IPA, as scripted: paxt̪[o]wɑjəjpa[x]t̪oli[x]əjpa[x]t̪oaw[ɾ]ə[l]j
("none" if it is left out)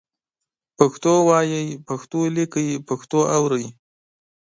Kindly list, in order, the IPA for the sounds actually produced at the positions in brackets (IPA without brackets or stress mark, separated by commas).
o, x, k, x, ɾ, none